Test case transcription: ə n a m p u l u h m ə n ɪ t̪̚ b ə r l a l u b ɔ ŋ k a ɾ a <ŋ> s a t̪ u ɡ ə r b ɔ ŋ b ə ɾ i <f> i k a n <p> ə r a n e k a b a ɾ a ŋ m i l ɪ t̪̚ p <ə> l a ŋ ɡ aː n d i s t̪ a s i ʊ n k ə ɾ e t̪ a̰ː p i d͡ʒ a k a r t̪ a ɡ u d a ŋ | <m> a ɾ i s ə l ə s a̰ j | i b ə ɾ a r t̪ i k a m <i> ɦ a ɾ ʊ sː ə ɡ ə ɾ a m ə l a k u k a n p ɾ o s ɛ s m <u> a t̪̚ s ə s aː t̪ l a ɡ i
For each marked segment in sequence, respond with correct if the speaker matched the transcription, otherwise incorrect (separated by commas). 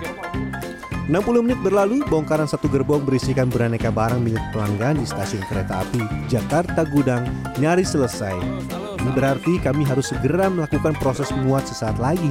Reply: incorrect, incorrect, incorrect, correct, incorrect, correct, correct